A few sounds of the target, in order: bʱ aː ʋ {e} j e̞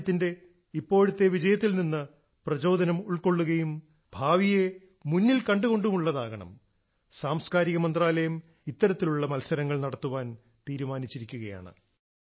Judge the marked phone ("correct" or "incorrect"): incorrect